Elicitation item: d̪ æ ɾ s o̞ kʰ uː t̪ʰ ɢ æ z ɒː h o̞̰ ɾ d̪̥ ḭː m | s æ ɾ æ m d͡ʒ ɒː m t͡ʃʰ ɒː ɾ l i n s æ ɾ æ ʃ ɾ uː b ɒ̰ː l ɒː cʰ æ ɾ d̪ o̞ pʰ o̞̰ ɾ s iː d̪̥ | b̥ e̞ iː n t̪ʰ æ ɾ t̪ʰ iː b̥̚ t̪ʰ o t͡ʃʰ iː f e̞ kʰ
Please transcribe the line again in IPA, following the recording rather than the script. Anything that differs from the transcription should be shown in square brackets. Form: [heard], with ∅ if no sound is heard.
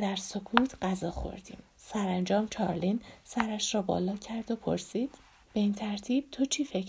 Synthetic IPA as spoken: d̪ æ ɾ s o̞ kʰ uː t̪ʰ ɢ æ z ɒː [x] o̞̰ ɾ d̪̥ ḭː m | s æ ɾ æ [n] d͡ʒ ɒː m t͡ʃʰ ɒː ɾ l i n s æ ɾ æ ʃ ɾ [ɒː] b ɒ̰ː l ɒː cʰ æ ɾ d̪ o̞ pʰ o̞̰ ɾ s iː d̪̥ | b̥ e̞ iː n t̪ʰ æ ɾ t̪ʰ iː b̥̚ t̪ʰ o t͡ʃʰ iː f e̞ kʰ